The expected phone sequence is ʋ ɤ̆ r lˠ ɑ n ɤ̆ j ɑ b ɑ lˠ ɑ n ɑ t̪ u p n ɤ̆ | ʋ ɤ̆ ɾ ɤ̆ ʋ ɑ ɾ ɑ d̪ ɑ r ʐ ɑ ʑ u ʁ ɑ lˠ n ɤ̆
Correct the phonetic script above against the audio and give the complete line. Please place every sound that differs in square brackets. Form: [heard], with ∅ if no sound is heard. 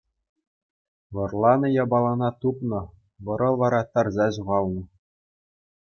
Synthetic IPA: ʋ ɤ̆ r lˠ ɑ n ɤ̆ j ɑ b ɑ lˠ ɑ n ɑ t̪ u p n ɤ̆ | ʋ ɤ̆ ɾ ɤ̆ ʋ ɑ ɾ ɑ [t̪] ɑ r [z] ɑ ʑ u ʁ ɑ lˠ n ɤ̆